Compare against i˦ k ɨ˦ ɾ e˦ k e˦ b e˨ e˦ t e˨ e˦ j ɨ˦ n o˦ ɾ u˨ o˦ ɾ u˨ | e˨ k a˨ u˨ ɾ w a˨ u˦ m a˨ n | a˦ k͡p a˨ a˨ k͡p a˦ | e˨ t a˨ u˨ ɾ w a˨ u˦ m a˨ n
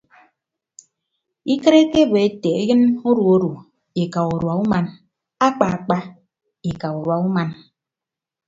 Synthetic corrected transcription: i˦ k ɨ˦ ɾ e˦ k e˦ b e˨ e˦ t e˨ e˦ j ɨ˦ n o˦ ɾ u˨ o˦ ɾ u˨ | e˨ k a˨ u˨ ɾ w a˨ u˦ m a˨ n | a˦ k͡p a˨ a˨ k͡p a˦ | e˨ k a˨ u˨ ɾ w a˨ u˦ m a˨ n